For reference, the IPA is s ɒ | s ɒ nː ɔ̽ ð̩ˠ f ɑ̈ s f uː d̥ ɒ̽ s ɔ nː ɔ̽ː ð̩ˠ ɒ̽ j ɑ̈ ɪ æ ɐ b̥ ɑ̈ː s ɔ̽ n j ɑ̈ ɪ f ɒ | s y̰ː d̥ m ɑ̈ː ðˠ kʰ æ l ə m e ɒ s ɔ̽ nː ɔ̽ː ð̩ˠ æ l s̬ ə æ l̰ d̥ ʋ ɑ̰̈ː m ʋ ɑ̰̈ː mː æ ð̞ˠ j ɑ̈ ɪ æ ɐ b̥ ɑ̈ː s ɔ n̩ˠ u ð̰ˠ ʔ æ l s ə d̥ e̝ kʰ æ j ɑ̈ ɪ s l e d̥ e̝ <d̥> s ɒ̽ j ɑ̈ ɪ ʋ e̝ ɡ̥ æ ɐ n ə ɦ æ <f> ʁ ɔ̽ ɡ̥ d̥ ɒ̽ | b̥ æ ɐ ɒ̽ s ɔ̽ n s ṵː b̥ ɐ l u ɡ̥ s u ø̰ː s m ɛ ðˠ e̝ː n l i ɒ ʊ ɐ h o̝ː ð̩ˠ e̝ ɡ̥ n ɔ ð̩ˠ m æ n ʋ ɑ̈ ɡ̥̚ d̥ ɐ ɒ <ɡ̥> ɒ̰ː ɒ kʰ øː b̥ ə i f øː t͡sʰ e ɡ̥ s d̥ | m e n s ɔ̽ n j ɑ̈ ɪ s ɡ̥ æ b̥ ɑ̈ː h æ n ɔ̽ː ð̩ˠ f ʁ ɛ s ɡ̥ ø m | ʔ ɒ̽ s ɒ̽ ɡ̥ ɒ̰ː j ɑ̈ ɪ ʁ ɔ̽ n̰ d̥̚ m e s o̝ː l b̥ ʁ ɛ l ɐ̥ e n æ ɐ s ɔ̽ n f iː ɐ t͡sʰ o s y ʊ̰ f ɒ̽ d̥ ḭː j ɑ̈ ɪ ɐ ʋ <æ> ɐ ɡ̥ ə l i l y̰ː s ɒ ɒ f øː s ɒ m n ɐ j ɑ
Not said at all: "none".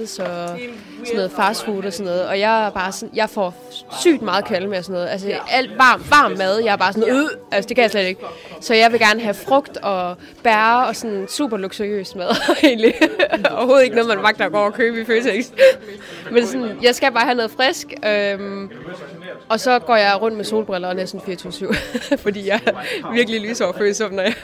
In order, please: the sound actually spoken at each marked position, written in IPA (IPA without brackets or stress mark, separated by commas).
ɡ̥, f, ɡ̥, i